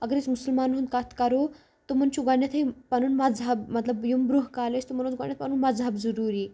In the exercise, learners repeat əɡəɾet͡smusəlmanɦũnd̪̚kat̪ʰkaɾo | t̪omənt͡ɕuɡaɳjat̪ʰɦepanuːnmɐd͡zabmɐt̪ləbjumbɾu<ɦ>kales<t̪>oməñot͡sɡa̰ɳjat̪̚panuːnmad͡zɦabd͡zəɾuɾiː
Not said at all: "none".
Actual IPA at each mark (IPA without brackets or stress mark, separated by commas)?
ɦ, t̪